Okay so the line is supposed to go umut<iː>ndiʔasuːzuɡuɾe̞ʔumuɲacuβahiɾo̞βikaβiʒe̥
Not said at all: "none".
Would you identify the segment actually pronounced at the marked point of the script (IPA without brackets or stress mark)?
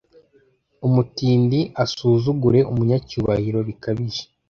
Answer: iː